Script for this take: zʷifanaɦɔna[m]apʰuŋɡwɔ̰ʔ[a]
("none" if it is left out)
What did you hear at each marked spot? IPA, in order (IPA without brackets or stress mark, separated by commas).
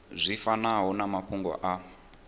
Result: m, a